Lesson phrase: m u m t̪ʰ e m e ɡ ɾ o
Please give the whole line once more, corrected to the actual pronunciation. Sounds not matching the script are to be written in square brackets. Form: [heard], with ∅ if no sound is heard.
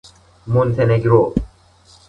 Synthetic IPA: m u [n] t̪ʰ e [n] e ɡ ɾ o